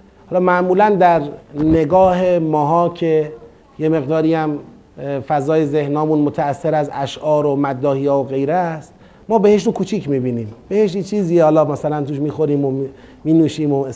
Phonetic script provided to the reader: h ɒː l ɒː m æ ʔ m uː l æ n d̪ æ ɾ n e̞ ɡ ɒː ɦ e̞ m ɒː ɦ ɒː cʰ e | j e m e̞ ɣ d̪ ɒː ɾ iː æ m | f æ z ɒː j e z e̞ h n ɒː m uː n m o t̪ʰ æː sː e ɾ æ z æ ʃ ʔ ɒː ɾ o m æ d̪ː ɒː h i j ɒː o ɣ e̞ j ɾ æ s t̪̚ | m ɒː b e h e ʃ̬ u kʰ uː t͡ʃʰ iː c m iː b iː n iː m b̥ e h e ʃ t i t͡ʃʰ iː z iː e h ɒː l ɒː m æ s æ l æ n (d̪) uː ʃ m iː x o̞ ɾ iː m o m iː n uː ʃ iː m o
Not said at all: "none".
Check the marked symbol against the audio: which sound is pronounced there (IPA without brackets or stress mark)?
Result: t̪